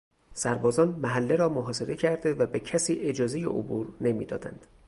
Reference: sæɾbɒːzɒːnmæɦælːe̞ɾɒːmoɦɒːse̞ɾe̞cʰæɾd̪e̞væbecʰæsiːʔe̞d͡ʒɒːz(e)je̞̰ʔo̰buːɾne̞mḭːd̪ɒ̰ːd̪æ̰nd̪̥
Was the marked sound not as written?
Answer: no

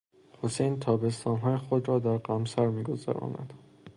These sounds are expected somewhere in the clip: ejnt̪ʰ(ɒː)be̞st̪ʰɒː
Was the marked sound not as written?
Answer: no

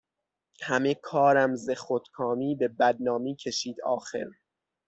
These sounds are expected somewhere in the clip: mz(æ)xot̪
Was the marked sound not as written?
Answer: yes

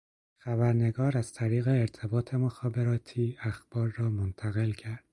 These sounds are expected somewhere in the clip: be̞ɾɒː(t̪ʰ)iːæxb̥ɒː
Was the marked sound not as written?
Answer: no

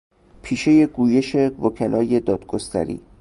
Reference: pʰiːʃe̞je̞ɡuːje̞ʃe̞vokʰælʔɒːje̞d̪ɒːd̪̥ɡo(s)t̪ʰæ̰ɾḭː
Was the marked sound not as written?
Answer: no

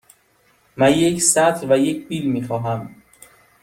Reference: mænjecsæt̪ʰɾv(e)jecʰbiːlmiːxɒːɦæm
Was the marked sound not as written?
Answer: yes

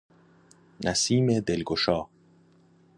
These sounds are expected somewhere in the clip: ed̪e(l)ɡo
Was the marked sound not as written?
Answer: no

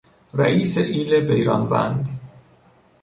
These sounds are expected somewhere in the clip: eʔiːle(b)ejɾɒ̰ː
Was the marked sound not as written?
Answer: no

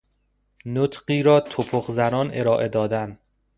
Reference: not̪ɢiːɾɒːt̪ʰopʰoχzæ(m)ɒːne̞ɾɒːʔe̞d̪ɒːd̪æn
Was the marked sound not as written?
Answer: yes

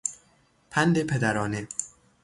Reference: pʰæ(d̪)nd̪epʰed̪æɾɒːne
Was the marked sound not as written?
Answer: yes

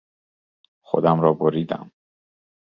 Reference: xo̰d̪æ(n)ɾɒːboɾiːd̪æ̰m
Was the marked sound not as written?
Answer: yes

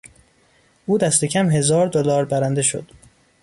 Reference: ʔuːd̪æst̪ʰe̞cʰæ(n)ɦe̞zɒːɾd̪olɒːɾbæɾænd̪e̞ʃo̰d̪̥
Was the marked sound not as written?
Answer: yes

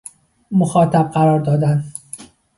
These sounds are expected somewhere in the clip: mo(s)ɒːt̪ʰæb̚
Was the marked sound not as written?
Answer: yes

